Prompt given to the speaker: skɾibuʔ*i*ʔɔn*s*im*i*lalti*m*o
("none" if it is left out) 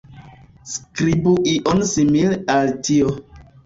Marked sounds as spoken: i, s, i, none

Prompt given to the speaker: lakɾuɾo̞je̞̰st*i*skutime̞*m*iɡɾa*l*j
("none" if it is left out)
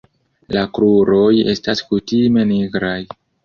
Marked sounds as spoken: a, n, none

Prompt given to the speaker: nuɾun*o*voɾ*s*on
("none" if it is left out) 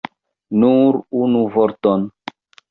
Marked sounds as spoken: u, t

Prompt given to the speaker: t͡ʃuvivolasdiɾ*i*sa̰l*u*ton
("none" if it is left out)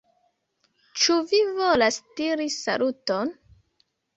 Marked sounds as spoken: i, u

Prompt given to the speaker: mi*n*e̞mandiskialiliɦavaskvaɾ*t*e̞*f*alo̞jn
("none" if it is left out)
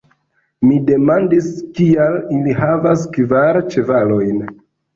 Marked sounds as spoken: d, t͡ʃ, v

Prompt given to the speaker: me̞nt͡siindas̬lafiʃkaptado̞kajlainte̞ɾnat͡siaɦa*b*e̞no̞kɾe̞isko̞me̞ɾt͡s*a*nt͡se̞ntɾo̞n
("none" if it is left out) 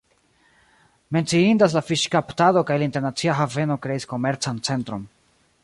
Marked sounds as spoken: v, a

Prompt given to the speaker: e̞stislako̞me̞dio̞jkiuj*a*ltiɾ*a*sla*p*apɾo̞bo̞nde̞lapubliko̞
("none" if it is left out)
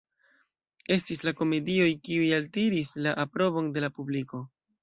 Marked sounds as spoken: a, i, ʔ

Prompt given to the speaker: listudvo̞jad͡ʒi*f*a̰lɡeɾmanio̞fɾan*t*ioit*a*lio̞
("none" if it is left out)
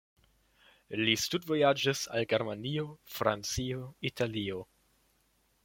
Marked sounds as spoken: s, t͡s, a

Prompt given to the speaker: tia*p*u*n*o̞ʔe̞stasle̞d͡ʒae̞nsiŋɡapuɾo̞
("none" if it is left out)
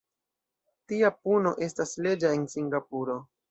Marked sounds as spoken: p, n

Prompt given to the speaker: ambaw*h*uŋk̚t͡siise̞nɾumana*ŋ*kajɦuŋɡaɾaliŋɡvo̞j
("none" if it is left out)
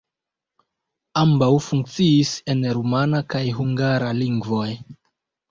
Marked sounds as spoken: f, none

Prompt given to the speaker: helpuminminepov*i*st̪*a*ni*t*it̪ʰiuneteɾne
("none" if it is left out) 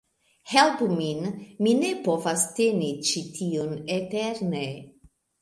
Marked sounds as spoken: a, e, t͡ʃ

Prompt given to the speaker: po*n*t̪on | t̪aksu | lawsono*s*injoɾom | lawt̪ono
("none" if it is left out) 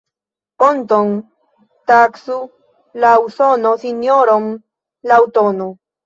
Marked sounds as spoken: n, s

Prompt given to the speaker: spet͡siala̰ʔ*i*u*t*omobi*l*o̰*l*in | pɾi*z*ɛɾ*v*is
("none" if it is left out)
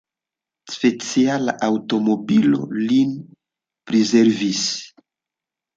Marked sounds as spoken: a, t, l, l, z, v

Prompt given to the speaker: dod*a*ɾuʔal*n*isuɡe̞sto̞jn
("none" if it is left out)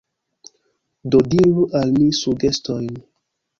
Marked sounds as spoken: i, m

